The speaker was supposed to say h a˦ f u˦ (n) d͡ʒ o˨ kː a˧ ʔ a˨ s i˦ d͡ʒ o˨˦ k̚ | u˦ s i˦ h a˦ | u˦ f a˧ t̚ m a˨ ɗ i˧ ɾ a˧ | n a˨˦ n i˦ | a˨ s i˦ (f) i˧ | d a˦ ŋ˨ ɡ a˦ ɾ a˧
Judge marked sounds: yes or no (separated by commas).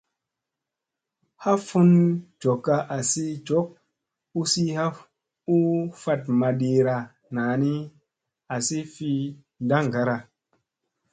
yes, yes